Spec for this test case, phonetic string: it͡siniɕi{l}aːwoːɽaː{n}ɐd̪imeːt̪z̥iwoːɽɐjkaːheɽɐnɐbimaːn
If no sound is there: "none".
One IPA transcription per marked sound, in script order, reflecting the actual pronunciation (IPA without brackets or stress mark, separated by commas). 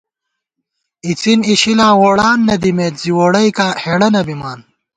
l, nː